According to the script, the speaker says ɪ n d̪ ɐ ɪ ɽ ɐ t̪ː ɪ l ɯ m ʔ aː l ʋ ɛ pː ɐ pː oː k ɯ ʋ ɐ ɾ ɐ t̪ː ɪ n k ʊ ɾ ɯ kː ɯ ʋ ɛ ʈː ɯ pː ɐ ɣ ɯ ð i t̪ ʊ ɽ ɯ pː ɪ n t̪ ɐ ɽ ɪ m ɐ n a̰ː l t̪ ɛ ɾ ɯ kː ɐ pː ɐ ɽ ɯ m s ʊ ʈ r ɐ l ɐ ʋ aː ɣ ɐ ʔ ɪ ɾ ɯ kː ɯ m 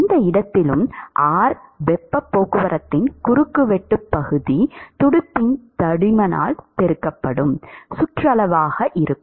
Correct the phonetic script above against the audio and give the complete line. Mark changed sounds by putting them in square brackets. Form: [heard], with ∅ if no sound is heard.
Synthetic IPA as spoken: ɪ n d̪ ɐ ɪ ɽ ɐ t̪ː ɪ l ɯ m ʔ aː [ɾ] ʋ ɛ pː ɐ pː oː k ɯ ʋ ɐ ɾ ɐ t̪ː ɪ n k ʊ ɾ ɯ kː ɯ ʋ ɛ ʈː ɯ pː ɐ ɣ ɯ ð i t̪ ʊ ɽ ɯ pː ɪ n t̪ ɐ ɽ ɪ m ɐ n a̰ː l t̪ ɛ ɾ ɯ kː ɐ pː ɐ ɽ ɯ m s ʊ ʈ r ɐ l ɐ ʋ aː ɣ ɐ ʔ ɪ ɾ ɯ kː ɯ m